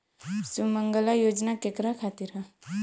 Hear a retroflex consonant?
no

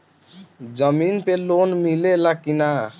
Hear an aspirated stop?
no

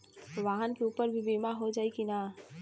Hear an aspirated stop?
no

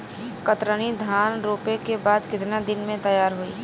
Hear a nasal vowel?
yes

